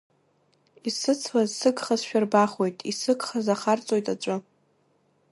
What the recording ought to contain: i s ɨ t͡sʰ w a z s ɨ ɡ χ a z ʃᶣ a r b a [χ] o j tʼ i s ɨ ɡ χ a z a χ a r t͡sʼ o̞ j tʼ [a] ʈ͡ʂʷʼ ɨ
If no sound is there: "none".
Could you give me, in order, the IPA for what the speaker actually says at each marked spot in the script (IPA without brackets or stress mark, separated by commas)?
χ, a